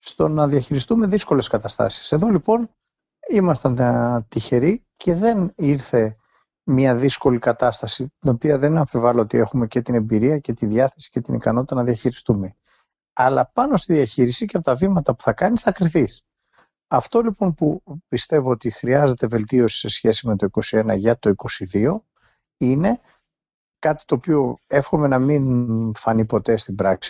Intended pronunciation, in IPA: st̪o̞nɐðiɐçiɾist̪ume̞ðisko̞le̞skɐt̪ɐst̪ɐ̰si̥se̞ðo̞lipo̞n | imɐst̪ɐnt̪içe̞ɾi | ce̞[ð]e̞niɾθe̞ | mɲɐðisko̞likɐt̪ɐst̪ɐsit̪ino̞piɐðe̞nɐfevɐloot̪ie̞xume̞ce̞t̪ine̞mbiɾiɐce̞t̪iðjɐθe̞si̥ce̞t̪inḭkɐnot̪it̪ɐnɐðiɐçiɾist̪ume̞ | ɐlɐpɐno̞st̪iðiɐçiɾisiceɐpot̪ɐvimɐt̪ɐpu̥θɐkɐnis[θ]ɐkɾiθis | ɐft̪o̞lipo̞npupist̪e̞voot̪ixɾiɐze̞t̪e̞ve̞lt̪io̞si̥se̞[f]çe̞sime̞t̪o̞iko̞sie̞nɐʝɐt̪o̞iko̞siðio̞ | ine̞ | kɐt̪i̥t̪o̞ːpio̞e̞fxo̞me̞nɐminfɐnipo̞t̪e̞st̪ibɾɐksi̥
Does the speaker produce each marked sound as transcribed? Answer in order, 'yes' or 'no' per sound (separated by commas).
yes, yes, no